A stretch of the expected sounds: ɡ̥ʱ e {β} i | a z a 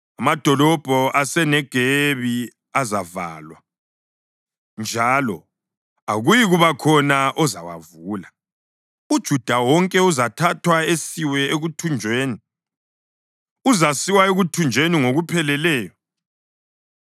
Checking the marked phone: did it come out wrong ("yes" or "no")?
no